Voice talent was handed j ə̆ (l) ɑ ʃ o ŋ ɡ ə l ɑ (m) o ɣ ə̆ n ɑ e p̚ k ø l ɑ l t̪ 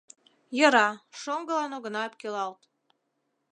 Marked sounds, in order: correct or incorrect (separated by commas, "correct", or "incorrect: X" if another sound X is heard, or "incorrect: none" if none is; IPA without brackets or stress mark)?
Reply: incorrect: ɾ, incorrect: n